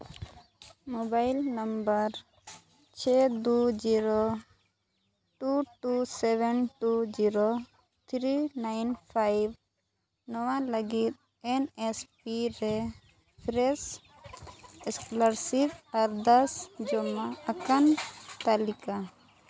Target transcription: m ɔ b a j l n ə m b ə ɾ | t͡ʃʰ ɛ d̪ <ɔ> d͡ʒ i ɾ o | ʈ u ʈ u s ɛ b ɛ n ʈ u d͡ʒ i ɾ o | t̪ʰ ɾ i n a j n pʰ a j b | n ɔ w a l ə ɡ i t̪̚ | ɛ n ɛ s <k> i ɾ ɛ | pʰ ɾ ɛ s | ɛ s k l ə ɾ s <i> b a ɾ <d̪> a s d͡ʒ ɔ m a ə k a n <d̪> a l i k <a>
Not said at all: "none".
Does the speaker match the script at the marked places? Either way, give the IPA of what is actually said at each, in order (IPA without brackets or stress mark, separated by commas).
u, p, i, d̪, t̪, a